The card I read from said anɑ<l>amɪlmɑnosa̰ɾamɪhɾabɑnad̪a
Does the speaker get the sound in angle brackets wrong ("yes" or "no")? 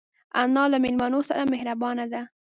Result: no